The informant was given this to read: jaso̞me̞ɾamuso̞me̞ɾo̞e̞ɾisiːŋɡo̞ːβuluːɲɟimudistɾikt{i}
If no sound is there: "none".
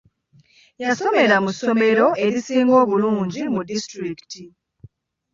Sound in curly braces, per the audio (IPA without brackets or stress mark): i